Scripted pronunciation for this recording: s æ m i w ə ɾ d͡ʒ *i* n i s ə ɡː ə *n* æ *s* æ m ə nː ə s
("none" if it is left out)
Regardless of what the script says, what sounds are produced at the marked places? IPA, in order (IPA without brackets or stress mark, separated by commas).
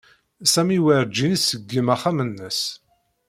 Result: i, m, χ